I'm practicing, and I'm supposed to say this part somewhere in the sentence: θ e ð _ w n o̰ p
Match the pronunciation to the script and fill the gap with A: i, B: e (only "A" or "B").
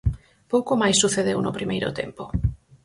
B